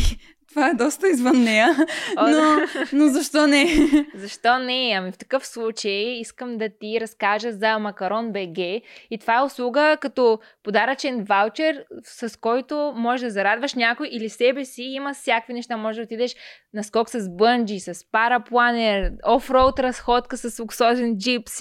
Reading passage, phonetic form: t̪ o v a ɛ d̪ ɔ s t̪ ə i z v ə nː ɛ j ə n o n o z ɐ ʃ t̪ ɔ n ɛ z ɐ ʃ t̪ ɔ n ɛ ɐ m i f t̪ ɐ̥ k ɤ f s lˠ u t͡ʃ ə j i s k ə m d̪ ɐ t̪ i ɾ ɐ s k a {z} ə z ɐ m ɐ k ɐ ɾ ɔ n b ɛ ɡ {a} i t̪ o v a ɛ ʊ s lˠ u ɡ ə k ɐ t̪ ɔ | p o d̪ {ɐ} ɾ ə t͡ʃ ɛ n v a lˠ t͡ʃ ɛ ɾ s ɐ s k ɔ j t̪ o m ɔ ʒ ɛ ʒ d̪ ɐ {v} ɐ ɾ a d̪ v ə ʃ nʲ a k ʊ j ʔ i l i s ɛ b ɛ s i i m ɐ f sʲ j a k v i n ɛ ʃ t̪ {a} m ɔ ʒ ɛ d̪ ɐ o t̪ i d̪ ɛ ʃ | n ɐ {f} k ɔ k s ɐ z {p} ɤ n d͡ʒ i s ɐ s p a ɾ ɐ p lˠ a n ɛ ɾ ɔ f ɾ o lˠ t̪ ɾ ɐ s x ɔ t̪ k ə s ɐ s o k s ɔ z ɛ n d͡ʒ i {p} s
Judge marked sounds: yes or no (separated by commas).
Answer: no, no, no, no, yes, no, no, yes